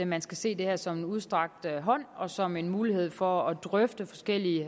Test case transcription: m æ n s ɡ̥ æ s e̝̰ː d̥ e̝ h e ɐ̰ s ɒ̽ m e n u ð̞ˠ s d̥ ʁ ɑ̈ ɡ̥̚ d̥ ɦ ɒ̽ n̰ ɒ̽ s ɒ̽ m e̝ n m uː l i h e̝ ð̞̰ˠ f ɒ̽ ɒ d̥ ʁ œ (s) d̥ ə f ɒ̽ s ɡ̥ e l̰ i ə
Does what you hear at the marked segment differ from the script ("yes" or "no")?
yes